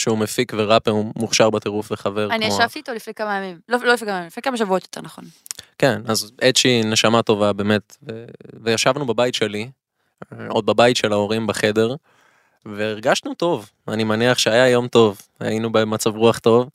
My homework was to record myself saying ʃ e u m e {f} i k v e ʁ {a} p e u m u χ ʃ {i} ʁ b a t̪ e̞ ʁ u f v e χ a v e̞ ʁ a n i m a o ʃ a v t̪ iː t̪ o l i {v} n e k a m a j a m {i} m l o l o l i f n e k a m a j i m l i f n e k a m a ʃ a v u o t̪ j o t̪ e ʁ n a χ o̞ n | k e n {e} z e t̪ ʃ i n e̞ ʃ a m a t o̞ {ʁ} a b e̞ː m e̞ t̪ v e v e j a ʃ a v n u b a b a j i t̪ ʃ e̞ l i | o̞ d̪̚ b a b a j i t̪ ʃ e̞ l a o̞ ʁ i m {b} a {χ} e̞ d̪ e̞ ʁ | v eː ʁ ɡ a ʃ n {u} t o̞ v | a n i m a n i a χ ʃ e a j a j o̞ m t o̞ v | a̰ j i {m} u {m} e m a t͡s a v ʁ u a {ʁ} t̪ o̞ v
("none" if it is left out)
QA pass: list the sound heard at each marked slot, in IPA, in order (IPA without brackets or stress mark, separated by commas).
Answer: f, a, a, f, i, a, v, b, χ, u, n, b, χ